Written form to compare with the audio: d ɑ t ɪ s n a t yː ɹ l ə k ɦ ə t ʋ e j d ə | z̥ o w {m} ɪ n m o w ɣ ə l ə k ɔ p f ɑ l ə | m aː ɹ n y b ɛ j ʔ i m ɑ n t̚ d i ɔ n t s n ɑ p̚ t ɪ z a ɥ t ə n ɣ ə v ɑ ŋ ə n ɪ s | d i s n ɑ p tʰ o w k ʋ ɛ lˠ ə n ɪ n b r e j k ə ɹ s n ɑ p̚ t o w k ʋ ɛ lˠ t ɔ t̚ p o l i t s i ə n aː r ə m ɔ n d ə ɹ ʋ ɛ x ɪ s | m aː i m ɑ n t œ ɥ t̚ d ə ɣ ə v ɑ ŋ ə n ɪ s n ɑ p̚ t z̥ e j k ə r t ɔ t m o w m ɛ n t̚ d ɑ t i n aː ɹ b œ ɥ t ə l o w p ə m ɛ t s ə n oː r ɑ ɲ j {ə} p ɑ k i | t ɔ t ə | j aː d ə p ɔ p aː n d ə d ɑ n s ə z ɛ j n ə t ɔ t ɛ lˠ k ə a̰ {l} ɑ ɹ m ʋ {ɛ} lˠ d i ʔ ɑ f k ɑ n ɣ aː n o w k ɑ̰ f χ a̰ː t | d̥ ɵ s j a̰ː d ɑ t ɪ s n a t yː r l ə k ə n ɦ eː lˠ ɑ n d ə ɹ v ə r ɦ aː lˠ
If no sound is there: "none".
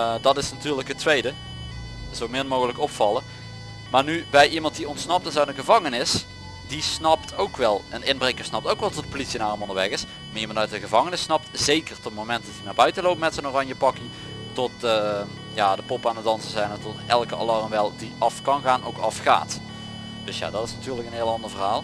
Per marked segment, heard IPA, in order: m, ə, l, ɛ

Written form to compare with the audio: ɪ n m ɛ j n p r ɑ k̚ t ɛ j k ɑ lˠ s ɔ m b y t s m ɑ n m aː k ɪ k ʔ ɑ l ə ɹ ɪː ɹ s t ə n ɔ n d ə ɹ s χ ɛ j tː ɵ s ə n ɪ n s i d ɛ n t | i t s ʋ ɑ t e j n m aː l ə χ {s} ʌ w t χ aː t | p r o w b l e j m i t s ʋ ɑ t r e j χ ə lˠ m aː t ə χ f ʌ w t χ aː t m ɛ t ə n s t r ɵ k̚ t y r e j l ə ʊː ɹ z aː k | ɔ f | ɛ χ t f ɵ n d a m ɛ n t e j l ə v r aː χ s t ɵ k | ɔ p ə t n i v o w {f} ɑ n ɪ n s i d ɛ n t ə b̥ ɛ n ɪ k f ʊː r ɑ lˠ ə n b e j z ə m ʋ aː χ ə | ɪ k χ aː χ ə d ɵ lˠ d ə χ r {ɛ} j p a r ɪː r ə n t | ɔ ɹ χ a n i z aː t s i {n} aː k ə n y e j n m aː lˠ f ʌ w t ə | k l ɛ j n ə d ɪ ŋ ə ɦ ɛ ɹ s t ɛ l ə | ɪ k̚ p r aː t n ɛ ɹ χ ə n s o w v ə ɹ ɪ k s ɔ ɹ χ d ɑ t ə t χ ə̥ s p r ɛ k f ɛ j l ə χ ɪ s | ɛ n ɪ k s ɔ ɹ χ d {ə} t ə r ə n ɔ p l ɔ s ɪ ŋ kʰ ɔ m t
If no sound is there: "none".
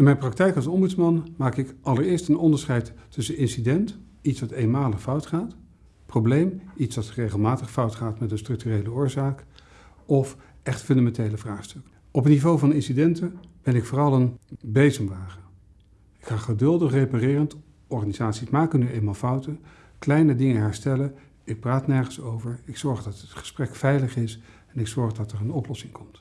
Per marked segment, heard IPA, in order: f, v, e, m, ɑ

